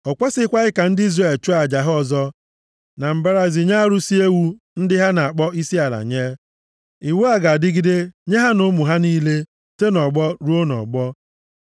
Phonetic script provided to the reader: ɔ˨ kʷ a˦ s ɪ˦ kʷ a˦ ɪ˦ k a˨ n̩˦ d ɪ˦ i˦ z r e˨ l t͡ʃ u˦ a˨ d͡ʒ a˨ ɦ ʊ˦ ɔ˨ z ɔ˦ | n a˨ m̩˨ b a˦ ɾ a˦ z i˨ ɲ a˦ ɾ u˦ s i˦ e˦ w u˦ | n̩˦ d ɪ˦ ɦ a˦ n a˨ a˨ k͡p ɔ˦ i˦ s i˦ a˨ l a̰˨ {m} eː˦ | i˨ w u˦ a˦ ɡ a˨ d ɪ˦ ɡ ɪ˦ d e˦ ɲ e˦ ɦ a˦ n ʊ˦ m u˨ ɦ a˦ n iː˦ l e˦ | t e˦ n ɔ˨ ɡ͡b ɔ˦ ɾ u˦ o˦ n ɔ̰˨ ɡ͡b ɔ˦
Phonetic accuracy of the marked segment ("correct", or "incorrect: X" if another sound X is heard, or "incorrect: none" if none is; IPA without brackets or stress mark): incorrect: ɲ